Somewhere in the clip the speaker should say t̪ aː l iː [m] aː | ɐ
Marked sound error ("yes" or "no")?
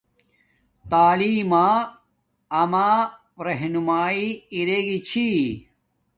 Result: no